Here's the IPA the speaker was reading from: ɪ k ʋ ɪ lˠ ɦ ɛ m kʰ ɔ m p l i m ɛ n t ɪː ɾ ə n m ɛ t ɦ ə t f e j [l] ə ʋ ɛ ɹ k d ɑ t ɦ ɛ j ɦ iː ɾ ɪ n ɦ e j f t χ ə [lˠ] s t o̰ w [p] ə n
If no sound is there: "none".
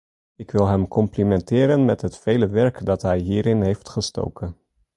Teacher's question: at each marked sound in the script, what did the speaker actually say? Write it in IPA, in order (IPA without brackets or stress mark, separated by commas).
l, none, k